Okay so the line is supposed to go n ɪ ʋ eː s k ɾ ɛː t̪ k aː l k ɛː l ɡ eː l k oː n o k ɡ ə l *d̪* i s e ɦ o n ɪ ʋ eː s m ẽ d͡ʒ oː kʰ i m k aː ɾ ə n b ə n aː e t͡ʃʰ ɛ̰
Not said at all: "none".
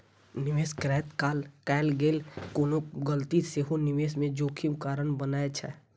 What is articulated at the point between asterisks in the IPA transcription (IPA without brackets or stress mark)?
t̪